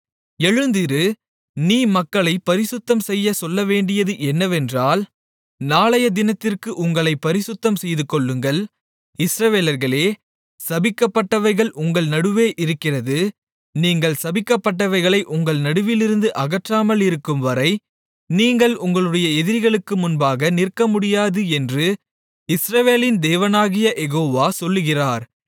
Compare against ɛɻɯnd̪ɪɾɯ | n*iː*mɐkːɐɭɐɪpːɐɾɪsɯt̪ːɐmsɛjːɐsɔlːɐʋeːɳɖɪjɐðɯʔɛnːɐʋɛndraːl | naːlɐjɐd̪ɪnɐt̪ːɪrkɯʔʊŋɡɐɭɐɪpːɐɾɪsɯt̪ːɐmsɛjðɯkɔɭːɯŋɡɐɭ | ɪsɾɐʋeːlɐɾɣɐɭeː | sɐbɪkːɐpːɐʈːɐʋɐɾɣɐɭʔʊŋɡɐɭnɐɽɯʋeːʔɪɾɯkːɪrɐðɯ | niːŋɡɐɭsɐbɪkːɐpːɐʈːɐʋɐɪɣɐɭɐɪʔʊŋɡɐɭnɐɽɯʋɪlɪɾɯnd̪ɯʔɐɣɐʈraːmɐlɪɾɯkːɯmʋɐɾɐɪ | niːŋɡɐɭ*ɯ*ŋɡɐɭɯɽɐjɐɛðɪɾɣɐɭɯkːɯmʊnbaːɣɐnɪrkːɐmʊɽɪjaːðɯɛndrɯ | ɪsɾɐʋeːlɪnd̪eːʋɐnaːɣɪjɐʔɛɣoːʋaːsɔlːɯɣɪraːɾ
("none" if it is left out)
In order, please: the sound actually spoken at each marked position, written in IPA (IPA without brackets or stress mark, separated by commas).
iː, ʊ